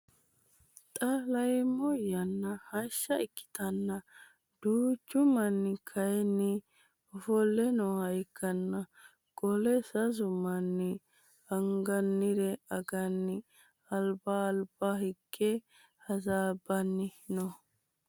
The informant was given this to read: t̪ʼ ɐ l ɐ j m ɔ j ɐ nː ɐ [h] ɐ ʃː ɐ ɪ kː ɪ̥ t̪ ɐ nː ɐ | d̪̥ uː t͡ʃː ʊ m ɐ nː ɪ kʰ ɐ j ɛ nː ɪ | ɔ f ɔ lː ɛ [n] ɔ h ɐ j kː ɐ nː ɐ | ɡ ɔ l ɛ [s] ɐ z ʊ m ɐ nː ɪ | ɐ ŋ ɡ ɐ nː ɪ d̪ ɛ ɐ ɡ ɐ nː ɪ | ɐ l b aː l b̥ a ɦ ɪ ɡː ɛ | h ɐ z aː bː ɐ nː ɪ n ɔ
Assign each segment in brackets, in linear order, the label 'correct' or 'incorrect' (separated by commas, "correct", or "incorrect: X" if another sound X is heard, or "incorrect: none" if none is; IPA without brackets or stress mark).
correct, correct, correct